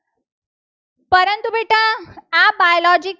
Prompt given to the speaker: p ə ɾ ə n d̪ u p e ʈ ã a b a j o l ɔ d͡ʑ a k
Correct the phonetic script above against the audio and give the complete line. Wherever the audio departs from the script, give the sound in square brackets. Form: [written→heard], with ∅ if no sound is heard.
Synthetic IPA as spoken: p ə ɾ ə n [d̪→t̪] u [p→b] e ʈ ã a b a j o l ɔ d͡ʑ [a→i] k